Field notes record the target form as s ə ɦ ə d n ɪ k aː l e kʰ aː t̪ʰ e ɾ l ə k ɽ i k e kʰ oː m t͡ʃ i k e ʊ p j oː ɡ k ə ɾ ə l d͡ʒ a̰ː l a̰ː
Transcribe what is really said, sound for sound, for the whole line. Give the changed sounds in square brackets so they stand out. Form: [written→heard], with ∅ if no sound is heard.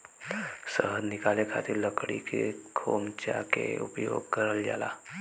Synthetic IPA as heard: s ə ɦ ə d n ɪ k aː l e kʰ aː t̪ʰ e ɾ l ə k ɽ i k e kʰ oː m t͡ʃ [i→a] k e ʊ p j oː ɡ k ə ɾ ə l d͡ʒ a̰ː l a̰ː

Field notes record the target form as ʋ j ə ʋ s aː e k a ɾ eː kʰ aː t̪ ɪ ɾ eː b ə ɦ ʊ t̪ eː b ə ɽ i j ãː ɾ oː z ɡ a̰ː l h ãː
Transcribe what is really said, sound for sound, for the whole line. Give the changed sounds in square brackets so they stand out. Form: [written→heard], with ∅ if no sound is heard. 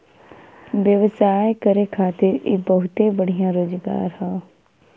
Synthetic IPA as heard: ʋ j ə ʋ s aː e k [a→ə] ɾ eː kʰ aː t̪ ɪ ɾ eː b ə ɦ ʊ t̪ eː b ə ɽ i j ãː ɾ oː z ɡ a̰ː [l→ɾ] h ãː

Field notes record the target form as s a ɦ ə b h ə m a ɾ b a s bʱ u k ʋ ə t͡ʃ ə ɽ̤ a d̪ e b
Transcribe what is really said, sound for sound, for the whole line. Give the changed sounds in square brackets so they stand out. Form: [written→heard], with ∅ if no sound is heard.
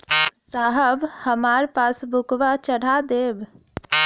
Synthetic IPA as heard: s a ɦ ə b h ə m a ɾ [b→p] a s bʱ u k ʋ [ə→a] t͡ʃ ə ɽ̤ a d̪ e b

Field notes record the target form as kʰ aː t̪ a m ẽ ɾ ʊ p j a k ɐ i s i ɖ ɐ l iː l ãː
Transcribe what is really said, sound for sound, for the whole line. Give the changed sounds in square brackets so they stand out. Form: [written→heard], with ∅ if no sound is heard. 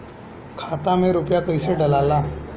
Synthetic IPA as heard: kʰ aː t̪ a m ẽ ɾ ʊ p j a k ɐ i s [i→e] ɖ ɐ l [iː→aː] l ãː

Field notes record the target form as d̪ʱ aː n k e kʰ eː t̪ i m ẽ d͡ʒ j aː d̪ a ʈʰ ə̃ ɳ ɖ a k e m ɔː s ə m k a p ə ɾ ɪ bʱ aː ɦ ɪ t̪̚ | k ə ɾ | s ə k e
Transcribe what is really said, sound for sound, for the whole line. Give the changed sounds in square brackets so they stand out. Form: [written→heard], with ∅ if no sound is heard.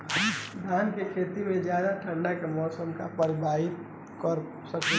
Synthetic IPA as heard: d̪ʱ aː n k e kʰ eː t̪ i m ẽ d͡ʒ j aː d̪ a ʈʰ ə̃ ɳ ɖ a k e m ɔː s ə m k a p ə ɾ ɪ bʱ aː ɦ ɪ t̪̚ | k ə ɾ | s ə k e

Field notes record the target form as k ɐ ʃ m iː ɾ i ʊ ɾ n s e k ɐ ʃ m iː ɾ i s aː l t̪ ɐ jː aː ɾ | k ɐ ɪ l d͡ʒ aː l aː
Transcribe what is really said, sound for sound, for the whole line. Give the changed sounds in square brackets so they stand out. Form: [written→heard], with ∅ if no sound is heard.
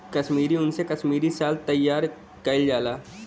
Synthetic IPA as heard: k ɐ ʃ m iː ɾ i ʊ [ɾ→∅] n s e k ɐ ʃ m iː ɾ i s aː l t̪ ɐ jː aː ɾ | k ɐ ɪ l d͡ʒ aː l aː

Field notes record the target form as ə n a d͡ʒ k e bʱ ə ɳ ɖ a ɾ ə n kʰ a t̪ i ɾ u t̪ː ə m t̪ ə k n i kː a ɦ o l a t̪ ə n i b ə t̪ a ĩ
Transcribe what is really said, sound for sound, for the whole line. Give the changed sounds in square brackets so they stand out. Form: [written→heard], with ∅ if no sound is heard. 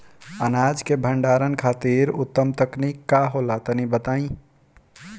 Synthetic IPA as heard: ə n a d͡ʒ k e bʱ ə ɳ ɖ a ɾ ə n kʰ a t̪ i ɾ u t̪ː ə m t̪ ə k n i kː a ɦ o l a t̪ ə n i b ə t̪ a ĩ

